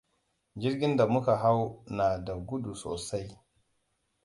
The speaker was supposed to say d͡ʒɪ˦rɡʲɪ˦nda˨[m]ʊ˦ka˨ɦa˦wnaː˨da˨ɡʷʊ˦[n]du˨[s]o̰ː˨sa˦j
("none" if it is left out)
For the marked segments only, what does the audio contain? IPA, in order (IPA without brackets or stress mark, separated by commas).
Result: m, none, s